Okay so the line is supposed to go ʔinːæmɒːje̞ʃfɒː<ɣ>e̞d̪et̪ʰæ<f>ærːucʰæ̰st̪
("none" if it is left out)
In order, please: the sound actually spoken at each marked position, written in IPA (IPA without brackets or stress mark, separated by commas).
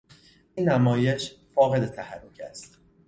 ɣ, h